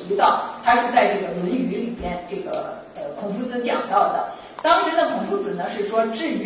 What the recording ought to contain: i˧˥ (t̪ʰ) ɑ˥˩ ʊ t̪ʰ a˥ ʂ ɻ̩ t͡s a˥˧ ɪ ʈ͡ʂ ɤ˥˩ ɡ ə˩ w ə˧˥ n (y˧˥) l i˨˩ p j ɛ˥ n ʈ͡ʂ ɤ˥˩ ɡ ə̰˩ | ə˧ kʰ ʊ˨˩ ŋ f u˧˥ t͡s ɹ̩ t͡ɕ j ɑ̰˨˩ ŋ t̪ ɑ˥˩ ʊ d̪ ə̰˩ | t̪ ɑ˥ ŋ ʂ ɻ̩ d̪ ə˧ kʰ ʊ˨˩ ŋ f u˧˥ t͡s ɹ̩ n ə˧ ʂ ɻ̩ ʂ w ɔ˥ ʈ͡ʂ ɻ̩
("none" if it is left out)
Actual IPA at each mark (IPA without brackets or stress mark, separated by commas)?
t̪, y˧˥